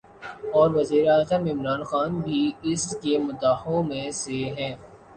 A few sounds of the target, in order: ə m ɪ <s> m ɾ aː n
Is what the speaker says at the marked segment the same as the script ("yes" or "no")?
no